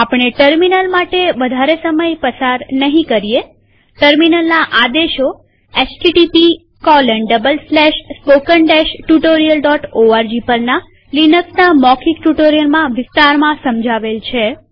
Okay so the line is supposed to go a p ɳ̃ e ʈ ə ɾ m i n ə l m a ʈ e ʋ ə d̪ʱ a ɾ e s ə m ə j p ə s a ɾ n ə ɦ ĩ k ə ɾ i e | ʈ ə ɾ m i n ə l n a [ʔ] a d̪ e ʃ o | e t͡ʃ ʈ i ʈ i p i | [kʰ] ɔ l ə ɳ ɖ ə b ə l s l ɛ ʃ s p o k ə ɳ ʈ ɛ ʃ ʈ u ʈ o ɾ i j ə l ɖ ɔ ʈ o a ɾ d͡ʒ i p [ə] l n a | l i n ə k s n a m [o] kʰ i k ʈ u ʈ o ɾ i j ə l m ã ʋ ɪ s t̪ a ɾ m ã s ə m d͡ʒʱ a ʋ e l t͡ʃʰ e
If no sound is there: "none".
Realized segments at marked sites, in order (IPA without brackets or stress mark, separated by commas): ʔ, k, ə, ɔ